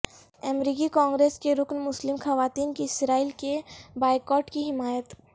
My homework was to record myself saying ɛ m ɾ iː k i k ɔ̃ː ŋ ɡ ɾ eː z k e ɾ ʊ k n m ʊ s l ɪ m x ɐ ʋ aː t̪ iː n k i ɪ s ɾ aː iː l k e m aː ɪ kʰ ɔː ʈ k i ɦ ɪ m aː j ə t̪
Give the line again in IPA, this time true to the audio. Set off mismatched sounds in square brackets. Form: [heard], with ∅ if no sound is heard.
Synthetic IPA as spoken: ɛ m ɾ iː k i k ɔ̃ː ŋ ɡ ɾ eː [s] k e ɾ ʊ k n m ʊ s l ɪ m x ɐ ʋ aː t̪ iː n k i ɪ s ɾ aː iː l k e [b] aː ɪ [k] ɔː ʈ k i ɦ ɪ m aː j ə t̪